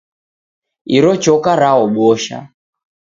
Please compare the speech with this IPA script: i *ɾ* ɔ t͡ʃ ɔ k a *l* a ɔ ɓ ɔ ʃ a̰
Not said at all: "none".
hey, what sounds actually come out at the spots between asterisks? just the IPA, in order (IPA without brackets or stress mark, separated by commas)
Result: ɾ, ɾ